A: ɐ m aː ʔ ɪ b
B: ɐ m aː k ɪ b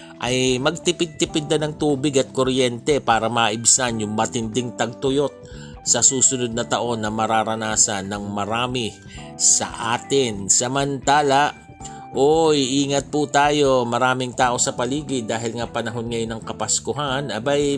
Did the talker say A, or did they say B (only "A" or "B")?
A